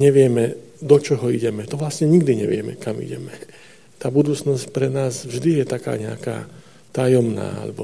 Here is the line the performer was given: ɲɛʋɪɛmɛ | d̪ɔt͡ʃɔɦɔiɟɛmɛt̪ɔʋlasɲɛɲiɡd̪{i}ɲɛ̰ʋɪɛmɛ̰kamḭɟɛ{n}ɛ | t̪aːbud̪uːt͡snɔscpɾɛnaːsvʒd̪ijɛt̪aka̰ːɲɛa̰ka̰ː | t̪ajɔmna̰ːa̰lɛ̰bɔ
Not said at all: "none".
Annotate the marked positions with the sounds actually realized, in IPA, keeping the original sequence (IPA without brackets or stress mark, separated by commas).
i, m